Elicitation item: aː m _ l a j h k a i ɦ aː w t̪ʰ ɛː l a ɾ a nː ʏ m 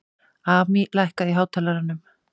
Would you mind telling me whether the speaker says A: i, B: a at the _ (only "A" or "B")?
A